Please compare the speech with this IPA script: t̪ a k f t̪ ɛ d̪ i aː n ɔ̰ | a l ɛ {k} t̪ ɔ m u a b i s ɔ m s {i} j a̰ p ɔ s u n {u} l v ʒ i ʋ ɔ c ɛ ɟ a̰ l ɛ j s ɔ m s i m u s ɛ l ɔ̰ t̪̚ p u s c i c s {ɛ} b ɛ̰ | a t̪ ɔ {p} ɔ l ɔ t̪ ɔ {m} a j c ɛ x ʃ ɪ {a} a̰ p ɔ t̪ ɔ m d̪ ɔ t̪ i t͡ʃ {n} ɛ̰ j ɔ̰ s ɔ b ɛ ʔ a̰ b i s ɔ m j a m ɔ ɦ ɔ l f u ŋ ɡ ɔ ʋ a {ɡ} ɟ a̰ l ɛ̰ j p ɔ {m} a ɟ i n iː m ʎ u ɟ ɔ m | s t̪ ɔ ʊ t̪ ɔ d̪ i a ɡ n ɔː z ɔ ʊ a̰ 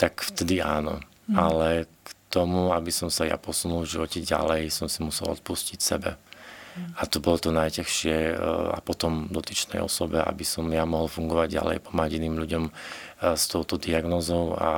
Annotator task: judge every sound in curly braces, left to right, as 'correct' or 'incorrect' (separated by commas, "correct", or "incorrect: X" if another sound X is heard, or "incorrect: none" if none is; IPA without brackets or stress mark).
correct, incorrect: a, correct, correct, incorrect: b, incorrect: n, incorrect: ɛ, correct, incorrect: ɟ, correct